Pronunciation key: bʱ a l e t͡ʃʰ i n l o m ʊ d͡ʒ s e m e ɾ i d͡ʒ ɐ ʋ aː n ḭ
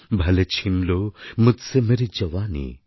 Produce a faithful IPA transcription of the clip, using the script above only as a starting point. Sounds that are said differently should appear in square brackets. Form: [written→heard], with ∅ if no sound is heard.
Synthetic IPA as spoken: bʱ [a→ɐ] l e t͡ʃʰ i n l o m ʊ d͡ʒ s e m e ɾ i d͡ʒ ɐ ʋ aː n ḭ